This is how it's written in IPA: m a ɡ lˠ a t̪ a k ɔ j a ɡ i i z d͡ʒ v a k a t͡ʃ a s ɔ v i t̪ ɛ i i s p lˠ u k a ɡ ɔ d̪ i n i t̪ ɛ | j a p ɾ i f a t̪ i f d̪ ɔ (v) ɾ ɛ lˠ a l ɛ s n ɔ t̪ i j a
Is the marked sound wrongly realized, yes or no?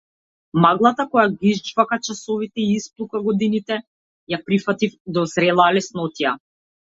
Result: yes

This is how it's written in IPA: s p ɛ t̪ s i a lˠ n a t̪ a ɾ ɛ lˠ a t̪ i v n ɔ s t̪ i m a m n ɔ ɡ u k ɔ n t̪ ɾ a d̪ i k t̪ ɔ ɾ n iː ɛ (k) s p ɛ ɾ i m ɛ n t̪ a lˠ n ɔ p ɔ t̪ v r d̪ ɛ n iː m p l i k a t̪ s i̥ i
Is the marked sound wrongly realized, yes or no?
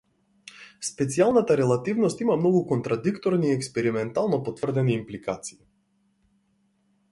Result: no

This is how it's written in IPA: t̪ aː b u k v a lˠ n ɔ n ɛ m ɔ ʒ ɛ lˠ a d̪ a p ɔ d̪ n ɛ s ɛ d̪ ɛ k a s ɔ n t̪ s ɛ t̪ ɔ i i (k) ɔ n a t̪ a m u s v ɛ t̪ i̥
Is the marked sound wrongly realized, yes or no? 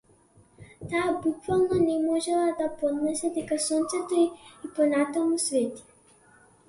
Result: yes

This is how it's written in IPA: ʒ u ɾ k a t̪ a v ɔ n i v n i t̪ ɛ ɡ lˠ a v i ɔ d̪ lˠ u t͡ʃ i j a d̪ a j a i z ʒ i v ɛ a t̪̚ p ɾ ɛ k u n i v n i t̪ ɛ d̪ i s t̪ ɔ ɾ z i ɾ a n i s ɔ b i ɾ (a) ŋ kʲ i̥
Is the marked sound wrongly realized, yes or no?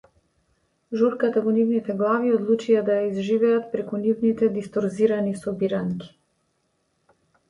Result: no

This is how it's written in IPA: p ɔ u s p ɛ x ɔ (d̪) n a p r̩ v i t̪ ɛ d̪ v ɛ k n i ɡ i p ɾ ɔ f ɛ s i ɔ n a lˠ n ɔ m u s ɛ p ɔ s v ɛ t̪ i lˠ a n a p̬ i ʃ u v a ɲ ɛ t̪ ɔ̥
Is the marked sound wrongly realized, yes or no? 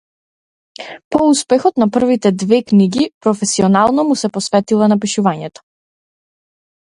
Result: yes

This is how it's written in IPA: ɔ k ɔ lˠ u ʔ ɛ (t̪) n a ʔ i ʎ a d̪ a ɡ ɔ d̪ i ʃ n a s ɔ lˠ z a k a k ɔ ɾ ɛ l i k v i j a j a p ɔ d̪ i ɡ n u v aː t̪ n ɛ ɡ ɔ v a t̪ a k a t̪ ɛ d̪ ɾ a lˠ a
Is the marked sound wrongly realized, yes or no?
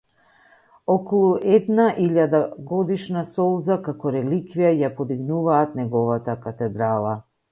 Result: yes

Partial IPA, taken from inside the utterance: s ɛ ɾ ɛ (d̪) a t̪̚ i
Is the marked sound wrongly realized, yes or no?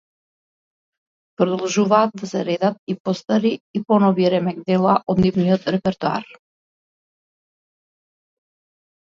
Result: no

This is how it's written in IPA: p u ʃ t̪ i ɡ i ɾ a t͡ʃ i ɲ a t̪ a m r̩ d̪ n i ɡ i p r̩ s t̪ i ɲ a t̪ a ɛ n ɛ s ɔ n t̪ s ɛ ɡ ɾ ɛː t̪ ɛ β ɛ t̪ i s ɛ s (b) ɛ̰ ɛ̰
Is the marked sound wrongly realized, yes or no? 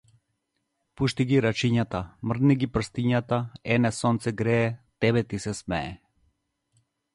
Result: yes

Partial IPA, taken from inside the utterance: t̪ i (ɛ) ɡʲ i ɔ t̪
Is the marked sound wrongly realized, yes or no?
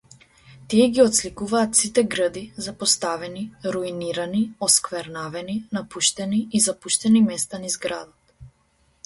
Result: no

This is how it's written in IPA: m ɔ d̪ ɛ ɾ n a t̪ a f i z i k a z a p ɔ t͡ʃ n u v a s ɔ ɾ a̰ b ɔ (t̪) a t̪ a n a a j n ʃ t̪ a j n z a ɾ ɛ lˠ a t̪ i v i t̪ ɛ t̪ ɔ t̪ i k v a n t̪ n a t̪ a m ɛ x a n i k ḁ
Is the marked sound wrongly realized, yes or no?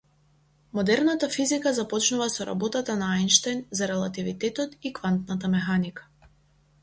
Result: no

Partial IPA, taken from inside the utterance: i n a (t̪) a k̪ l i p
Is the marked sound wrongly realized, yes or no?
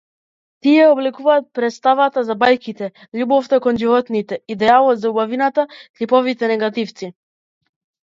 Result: no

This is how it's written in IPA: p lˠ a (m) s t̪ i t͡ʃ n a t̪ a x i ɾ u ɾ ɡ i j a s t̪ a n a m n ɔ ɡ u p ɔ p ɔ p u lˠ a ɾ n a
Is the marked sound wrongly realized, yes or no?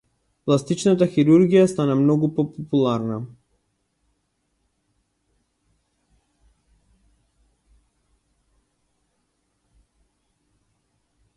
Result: yes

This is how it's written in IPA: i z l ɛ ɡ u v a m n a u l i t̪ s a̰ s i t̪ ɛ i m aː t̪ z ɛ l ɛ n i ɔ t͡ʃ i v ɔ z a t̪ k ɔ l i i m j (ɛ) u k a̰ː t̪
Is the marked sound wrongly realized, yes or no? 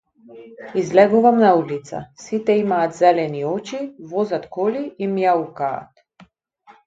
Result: yes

